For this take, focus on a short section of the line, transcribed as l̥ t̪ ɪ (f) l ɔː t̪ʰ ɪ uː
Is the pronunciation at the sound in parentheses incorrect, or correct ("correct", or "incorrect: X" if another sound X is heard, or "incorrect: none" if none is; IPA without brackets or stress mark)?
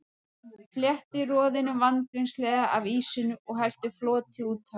correct